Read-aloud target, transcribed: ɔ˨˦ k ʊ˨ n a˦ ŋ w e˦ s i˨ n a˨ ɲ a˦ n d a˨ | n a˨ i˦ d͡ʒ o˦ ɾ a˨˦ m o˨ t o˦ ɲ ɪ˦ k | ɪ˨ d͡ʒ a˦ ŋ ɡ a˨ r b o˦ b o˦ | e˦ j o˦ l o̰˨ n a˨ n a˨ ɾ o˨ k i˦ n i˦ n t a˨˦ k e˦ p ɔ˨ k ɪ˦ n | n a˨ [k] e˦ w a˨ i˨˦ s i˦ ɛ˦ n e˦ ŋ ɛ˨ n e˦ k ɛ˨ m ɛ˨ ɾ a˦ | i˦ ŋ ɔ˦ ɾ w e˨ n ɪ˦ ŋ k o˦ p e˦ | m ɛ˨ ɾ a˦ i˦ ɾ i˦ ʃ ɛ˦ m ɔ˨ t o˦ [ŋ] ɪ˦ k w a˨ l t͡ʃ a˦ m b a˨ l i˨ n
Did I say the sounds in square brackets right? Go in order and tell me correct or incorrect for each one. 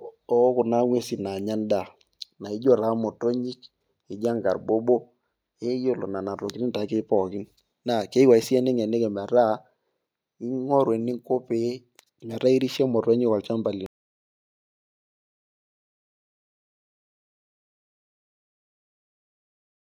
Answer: correct, incorrect: ɲ

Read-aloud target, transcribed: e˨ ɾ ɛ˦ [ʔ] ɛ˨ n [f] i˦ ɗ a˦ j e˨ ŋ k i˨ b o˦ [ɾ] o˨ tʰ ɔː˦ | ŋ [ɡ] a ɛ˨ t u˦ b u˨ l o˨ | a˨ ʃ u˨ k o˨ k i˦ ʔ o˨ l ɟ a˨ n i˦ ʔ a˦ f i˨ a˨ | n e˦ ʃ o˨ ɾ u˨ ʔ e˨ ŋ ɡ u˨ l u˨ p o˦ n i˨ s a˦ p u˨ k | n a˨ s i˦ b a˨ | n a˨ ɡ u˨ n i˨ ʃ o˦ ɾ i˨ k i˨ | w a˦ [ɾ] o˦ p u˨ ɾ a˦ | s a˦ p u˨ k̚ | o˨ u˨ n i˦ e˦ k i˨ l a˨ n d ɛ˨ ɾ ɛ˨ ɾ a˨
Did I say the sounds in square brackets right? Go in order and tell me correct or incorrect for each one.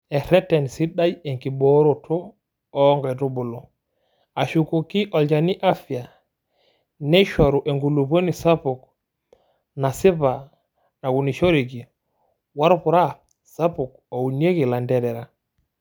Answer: incorrect: t, incorrect: s, correct, correct, correct

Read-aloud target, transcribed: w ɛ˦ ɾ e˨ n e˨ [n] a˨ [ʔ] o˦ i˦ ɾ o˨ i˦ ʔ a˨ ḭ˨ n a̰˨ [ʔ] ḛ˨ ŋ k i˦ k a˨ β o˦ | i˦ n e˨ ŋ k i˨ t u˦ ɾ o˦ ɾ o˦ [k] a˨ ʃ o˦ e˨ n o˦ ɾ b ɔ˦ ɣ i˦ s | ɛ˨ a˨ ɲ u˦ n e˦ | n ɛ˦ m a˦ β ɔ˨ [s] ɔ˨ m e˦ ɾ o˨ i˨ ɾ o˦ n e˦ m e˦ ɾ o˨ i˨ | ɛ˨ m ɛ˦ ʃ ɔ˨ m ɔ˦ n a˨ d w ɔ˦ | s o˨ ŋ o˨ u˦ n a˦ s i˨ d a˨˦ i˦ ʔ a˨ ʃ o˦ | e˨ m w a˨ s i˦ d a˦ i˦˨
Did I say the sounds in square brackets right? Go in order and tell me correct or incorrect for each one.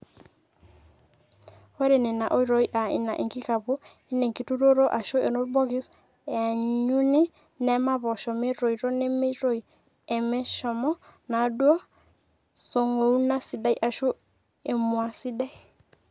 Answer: correct, correct, correct, incorrect: ʔ, incorrect: ʃ

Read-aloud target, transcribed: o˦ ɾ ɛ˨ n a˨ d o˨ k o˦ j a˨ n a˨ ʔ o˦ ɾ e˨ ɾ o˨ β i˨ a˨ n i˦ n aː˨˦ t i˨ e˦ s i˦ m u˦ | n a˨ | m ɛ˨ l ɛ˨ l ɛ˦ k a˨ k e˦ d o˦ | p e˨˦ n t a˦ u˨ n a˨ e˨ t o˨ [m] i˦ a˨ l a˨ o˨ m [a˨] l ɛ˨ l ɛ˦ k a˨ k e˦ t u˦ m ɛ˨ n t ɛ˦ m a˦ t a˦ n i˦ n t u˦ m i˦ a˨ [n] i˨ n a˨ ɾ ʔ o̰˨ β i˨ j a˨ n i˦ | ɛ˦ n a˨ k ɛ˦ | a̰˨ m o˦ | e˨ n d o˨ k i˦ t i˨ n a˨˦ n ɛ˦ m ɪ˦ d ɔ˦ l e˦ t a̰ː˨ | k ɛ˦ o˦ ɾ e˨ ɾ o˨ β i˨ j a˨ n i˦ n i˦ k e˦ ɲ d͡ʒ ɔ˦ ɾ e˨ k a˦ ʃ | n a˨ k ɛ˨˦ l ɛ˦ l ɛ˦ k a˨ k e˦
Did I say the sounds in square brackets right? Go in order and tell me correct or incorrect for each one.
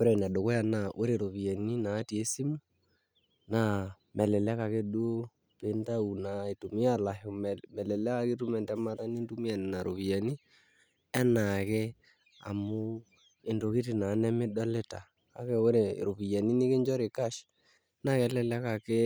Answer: correct, incorrect: ɛ˨, correct

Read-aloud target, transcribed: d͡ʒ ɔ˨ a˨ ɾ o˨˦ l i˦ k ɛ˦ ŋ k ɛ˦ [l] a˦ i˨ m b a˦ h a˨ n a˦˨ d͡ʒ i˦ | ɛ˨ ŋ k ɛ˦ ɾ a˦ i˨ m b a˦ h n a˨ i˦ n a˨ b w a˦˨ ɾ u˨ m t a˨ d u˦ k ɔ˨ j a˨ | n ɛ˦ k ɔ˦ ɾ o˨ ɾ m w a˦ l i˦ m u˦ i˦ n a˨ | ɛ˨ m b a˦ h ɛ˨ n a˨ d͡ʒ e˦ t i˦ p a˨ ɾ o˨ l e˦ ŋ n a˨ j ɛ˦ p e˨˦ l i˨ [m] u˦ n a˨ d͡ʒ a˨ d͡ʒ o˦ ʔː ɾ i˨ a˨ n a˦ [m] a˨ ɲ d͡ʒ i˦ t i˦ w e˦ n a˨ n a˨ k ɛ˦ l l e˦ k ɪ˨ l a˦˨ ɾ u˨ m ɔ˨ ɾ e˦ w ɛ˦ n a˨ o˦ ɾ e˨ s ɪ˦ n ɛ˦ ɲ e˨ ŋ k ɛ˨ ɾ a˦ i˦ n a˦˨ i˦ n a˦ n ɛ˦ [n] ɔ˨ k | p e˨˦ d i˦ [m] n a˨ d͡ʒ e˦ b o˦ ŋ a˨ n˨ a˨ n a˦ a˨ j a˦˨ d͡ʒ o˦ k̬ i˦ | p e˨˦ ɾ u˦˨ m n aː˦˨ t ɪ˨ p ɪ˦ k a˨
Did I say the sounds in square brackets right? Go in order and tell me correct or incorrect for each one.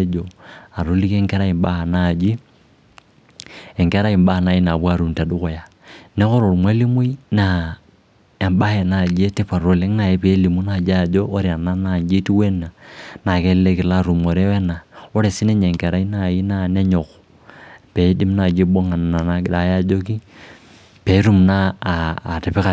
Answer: incorrect: ɾ, correct, incorrect: n, incorrect: ɲ, correct

